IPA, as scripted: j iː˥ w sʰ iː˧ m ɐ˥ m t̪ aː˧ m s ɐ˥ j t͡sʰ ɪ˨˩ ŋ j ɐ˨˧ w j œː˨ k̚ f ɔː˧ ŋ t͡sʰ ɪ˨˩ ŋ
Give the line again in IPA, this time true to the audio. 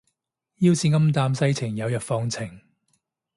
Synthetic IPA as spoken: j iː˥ w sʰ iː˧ ŋ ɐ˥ m t̪ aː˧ m s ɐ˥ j t͡sʰ ɪ˨˩ ŋ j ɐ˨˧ w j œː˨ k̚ f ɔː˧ ŋ t͡sʰ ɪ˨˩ ŋ